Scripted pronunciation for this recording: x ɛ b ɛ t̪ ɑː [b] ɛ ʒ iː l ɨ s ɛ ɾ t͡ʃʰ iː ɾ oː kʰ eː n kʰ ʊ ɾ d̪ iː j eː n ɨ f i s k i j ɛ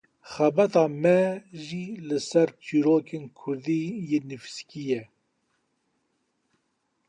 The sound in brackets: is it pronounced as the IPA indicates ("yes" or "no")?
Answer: no